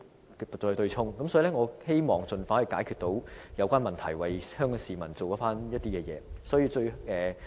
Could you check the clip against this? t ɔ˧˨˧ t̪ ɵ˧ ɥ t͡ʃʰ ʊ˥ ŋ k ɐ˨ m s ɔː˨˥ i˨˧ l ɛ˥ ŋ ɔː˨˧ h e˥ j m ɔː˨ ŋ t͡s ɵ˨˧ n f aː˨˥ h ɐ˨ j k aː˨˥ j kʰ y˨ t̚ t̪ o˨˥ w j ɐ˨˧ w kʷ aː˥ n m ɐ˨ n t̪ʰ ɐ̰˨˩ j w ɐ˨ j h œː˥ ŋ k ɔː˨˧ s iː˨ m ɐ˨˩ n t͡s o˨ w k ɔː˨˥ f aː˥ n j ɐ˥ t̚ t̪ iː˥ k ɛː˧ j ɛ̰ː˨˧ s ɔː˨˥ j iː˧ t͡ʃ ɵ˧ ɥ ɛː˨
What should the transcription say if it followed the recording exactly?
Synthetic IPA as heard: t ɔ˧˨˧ t̪ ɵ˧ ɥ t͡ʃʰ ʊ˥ ŋ k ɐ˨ m s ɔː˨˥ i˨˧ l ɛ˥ ŋ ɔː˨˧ h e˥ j m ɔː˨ ŋ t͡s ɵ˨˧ n f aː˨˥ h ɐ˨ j k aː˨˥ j kʰ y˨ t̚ t̪ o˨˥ w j ɐ˨˧ w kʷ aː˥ n m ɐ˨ n t̪ʰ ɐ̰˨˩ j w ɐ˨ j h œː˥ ŋ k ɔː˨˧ s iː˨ m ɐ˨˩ n t͡s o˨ w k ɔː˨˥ f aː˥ n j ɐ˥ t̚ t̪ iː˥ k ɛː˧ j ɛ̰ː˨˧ s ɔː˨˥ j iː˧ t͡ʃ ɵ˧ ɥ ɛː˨